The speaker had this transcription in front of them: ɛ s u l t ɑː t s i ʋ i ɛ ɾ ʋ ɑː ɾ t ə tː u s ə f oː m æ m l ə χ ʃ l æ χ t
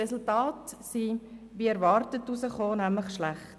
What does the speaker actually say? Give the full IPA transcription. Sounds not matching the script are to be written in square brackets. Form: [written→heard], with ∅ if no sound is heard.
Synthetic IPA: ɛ s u l t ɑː t s i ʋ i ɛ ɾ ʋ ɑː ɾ t ə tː u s ə [f→χ] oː [m→n] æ m l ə χ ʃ l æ χ t